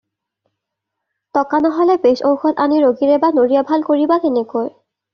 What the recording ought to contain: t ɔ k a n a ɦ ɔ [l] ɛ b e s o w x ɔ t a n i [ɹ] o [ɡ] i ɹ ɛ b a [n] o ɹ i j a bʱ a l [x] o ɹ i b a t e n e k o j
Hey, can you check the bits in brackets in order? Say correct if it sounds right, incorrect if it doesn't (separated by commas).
correct, correct, correct, correct, incorrect